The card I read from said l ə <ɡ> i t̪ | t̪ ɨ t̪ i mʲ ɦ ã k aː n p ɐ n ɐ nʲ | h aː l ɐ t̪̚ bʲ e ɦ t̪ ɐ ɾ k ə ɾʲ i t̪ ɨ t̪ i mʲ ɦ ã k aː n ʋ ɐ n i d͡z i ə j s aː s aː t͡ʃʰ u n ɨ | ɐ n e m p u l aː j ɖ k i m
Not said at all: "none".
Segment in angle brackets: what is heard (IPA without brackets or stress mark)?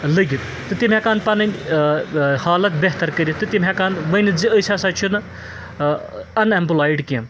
ɡ